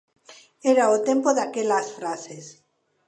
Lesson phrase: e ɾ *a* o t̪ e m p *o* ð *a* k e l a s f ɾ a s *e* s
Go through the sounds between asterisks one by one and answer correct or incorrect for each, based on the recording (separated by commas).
correct, correct, correct, correct